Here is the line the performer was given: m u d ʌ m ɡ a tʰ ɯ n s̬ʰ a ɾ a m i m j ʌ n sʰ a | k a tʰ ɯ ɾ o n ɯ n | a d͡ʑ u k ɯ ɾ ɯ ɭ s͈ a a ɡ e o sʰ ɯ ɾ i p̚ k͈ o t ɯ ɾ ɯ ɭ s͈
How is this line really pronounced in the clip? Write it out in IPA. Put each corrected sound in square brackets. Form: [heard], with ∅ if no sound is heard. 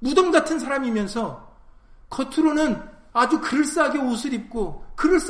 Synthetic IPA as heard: m u d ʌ m ɡ a tʰ ɯ n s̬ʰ a ɾ a m i m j ʌ n sʰ [ʌ] | k [ʌ] tʰ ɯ ɾ o n ɯ n | a d͡ʑ u k ɯ ɾ ɯ ɭ s͈ a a ɡ e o sʰ ɯ ɾ i p̚ k͈ o [k] ɯ ɾ ɯ ɭ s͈